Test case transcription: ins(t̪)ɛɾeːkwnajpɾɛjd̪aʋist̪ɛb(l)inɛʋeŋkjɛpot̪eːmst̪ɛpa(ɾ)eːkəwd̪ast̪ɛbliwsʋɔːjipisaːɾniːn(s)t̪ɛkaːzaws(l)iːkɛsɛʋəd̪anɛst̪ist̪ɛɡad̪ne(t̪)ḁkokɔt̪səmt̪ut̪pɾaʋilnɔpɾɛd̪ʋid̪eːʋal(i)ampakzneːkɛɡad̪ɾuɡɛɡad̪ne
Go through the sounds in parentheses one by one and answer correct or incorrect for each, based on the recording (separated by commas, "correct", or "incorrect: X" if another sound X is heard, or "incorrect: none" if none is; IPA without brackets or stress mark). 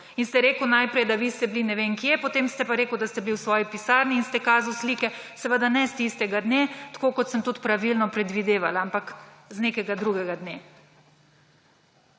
correct, correct, correct, correct, correct, correct, incorrect: a